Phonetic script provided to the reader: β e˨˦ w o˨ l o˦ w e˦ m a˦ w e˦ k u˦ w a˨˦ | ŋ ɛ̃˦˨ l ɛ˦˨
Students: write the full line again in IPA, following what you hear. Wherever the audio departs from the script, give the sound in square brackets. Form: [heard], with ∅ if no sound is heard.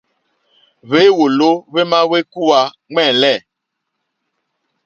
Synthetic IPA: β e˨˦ w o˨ l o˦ [β] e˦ m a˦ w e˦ k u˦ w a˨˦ | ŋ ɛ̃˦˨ l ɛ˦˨